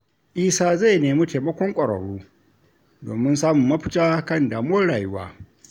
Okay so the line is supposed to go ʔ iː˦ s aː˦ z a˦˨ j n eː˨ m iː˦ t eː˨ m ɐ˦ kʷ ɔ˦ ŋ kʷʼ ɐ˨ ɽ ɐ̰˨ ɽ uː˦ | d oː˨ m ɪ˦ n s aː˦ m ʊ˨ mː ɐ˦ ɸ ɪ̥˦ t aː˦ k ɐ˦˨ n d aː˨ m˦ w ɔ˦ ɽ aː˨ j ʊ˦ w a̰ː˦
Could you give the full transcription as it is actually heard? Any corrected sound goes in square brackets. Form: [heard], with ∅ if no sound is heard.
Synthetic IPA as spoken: ʔ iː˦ s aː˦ z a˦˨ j n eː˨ m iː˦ t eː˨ m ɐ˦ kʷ ɔ˦ ŋ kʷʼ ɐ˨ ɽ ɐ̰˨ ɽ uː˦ | d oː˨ m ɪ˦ n s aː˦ m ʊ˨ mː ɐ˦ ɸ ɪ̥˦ t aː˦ k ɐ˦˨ n d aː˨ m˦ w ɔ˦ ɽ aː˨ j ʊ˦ w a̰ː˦